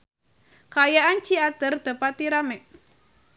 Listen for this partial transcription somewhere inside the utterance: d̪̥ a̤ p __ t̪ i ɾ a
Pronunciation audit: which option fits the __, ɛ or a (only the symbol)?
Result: a